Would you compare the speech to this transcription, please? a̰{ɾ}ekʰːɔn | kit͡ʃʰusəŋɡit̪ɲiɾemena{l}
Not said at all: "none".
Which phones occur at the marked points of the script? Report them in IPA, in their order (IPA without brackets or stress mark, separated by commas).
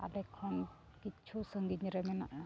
l, none